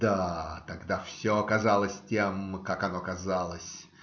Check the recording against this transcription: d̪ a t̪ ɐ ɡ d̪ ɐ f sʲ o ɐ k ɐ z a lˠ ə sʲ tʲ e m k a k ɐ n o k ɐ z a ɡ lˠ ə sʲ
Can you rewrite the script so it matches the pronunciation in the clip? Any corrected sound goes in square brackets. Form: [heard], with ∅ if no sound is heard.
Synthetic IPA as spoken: d̪ a t̪ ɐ ɡ d̪ [a] f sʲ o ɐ k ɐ z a lˠ ə sʲ tʲ e m k a k ɐ n o k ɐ z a [∅] lˠ ə sʲ